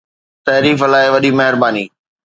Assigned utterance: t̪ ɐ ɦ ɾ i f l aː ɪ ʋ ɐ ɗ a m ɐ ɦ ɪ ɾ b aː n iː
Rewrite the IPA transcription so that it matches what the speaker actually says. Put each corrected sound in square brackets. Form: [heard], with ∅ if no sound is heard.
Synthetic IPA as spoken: t̪ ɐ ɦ ɾ [iː] f l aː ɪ ʋ ɐ ɗ [i] m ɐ ɦ ɪ ɾ b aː n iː